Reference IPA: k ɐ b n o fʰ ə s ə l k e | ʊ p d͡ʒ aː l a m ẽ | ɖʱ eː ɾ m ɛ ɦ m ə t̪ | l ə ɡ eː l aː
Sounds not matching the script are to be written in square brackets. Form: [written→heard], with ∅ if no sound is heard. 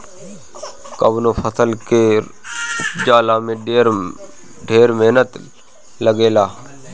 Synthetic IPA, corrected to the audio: k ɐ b n o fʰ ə s ə l k e | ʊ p d͡ʒ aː l a m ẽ | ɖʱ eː ɾ m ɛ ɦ [m→n] ə t̪ | l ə ɡ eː l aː